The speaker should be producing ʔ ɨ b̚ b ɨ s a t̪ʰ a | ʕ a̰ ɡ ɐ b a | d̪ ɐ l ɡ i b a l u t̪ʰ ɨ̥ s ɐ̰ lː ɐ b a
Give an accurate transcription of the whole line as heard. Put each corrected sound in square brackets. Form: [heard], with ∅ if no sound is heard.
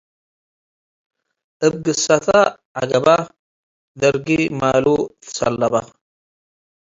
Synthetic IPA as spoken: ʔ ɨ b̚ [ɡ] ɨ s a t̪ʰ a | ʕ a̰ ɡ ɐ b a | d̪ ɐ [ɾ] ɡ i [m] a l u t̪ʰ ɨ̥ s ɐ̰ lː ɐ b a